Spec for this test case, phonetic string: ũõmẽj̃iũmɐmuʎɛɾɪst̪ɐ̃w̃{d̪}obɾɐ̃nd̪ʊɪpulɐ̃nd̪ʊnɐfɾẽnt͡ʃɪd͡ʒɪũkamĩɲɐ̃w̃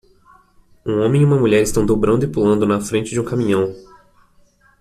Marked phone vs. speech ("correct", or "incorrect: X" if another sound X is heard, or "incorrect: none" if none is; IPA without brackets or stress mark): correct